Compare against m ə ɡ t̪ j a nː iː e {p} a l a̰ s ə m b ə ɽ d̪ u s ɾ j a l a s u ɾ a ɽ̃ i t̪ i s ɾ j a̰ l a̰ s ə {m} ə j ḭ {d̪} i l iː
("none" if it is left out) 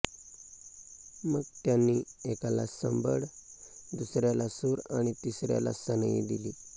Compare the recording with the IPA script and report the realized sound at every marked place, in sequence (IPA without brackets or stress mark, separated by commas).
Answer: k, n, d̪